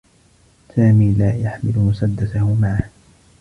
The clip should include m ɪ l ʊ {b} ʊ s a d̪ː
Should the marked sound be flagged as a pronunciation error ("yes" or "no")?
yes